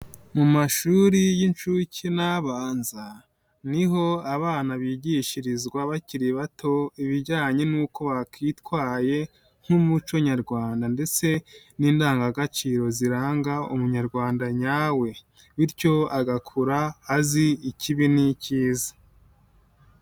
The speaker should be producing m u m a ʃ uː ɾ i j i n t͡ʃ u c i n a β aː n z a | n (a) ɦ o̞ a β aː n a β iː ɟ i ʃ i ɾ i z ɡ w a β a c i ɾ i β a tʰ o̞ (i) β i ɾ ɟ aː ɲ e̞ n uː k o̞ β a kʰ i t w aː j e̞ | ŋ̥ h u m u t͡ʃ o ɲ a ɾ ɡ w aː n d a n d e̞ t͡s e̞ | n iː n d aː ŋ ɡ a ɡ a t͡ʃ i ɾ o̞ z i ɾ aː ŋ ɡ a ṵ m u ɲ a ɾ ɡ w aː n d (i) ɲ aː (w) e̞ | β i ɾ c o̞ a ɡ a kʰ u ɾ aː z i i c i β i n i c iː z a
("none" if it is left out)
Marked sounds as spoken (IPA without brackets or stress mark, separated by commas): i, i, a, w